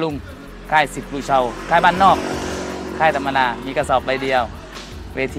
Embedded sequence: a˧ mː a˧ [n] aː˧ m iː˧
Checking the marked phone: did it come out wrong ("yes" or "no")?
no